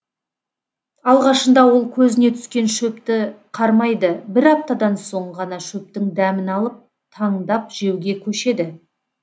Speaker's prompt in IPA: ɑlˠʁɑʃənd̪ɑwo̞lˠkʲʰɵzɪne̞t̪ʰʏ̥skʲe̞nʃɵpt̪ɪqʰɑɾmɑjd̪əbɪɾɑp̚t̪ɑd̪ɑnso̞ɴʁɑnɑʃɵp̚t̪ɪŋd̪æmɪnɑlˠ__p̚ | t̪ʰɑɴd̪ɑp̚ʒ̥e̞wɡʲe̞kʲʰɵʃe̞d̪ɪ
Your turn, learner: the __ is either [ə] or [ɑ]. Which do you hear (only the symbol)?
ə